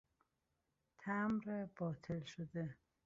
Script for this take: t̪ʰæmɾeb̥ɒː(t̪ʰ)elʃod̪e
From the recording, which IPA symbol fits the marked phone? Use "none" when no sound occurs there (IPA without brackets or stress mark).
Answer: t̪ʰ